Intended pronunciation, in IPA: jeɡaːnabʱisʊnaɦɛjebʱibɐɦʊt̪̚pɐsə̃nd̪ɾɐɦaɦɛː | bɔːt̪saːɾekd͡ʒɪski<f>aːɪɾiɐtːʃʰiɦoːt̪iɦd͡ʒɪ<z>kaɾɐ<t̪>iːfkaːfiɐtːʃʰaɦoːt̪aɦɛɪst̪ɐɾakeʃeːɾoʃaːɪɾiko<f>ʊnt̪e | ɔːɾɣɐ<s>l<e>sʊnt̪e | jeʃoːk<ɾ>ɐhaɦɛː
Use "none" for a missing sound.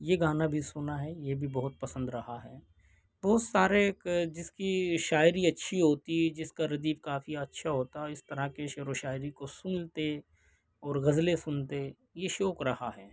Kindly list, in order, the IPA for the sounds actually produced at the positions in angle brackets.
ʃ, s, d̪, s, z, e, ɾ

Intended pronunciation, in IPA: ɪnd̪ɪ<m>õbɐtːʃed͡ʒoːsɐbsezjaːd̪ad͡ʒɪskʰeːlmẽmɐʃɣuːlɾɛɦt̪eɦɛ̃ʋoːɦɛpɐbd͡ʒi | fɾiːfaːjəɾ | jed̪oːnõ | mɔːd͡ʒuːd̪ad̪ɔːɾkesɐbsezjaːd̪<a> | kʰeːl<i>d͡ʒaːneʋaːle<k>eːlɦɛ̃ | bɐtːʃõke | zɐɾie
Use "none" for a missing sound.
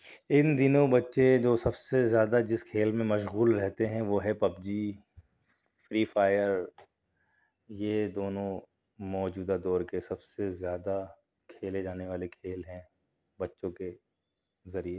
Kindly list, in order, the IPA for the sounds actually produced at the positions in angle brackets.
n, a, e, kʰ

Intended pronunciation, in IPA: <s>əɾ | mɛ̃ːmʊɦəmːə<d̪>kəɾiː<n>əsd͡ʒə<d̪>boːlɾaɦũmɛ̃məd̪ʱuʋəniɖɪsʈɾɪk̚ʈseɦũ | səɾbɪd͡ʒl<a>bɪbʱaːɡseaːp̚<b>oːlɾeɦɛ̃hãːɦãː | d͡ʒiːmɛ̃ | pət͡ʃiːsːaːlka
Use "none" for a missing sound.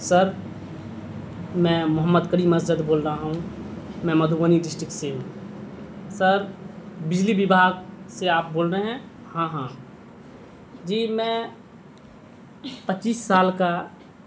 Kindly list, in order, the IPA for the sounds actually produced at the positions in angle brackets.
s, d̪, m, d̪, i, b

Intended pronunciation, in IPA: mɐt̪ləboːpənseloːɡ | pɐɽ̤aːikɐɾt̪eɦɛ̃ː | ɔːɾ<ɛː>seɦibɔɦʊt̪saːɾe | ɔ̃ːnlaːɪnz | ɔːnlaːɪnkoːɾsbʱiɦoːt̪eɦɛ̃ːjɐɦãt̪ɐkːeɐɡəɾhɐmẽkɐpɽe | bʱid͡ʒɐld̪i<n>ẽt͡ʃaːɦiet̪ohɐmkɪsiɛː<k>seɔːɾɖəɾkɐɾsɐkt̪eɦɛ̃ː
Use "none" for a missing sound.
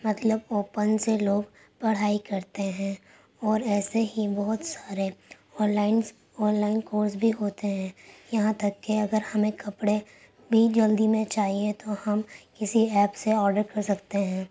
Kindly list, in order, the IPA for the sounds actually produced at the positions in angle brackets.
ɛː, m, p

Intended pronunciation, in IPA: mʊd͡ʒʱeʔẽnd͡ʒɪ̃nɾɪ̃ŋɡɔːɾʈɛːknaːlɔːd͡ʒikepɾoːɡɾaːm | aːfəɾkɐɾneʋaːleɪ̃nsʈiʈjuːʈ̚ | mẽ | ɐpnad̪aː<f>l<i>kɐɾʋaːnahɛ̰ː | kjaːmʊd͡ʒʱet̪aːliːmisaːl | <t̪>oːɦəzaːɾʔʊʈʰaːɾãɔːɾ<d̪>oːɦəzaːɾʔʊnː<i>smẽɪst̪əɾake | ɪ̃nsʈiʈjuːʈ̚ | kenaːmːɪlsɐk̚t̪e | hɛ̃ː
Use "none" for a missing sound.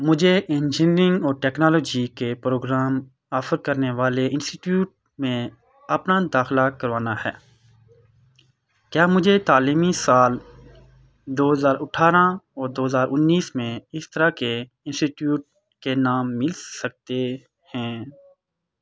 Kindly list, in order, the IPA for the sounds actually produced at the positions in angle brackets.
x, a, d̪, d̪, iː

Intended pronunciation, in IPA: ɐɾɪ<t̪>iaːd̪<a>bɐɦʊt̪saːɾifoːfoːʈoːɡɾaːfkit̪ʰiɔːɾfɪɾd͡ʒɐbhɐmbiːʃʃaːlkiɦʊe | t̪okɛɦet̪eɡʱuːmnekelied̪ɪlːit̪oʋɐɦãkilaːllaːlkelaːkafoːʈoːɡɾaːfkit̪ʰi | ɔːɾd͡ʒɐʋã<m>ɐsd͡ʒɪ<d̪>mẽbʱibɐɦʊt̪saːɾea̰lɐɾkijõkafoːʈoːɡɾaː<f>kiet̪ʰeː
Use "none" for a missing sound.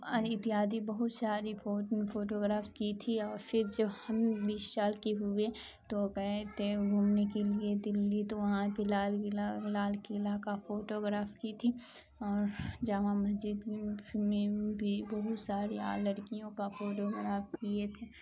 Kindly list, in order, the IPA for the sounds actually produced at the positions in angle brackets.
t̪, i, m, d̪, f

